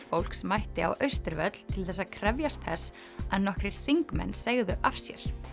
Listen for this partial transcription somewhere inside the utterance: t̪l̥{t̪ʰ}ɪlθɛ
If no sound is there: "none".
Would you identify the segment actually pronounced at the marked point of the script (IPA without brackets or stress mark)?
t̪ʰ